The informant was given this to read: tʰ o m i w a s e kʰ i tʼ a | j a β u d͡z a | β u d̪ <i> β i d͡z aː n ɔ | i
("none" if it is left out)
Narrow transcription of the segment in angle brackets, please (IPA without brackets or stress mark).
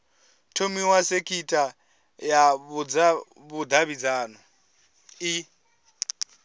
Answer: a